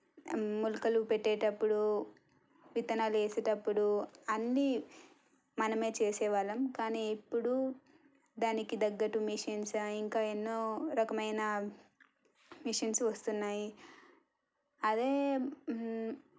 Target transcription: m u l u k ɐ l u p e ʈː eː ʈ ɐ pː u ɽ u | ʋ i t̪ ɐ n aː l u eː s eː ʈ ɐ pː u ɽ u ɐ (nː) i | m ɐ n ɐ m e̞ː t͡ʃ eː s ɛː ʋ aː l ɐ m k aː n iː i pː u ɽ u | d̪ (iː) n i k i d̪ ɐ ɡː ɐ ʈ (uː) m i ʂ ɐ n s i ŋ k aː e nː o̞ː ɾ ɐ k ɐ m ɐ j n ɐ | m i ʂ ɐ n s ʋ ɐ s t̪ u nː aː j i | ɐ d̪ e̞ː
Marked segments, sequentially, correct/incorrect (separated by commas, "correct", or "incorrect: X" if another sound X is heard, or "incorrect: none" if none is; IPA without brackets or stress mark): correct, incorrect: aː, incorrect: u